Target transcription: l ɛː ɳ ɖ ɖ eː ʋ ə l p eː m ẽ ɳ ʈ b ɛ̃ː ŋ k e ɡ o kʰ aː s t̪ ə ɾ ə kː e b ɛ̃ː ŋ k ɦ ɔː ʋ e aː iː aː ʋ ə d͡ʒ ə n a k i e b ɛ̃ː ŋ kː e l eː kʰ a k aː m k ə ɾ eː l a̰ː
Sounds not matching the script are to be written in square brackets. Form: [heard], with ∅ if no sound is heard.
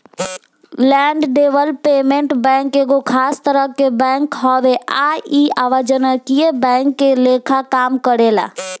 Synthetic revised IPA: l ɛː ɳ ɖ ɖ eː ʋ ə l p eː m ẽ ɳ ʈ b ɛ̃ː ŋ k e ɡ o kʰ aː s t̪ ə ɾ ə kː e b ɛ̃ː ŋ k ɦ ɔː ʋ e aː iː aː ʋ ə d͡ʒ ə n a k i e b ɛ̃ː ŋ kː e l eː kʰ a k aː m k ə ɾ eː l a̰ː